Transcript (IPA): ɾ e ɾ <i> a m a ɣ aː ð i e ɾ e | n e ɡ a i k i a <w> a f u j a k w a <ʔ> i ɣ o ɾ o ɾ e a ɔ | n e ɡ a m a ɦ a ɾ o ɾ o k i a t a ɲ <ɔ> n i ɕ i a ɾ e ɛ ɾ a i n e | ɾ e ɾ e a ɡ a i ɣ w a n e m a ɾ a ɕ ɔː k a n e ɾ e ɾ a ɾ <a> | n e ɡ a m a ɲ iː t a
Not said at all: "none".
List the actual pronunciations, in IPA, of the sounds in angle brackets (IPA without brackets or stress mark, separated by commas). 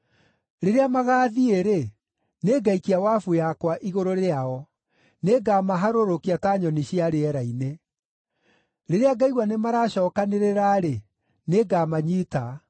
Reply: e, w, ʔ, ɔ, e